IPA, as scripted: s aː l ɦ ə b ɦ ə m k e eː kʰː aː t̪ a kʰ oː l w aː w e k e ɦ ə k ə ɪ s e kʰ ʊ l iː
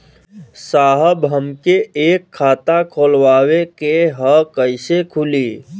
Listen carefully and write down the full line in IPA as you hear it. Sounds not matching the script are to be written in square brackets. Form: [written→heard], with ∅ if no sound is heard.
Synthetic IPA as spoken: s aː [l→∅] ɦ ə b ɦ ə m k e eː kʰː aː t̪ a kʰ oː l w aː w e k e ɦ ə k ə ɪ s e kʰ ʊ l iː